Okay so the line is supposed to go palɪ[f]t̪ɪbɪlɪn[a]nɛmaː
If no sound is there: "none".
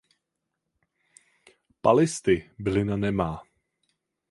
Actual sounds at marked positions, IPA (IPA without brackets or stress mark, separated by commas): s, a